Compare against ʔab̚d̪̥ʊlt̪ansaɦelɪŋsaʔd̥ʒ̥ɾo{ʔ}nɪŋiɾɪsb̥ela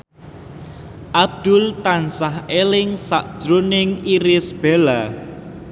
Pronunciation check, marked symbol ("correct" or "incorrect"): incorrect